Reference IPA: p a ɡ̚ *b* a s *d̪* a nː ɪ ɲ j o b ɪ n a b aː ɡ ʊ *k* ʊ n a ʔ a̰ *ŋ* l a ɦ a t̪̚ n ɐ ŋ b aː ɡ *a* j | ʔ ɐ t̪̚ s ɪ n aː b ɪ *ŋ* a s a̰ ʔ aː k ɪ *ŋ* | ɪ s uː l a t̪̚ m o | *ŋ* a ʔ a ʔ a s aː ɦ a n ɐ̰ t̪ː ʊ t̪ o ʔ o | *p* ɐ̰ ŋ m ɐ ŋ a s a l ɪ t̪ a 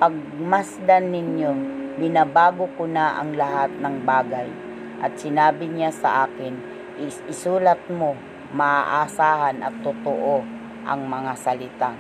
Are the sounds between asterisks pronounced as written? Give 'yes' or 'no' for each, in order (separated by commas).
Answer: no, yes, yes, yes, yes, no, no, no, no